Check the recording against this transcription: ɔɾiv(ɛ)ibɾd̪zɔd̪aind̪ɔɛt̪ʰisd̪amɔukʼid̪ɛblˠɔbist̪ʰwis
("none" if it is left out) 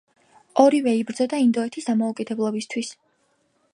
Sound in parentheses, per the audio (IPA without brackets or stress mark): ɛ